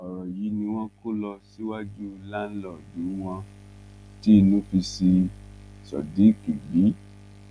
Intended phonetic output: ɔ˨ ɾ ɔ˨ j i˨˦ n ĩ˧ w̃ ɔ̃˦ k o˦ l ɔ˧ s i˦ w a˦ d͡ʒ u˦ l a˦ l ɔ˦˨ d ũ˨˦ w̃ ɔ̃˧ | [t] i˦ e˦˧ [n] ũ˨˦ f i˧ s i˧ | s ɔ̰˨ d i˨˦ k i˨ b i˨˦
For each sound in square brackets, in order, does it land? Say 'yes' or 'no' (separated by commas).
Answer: yes, yes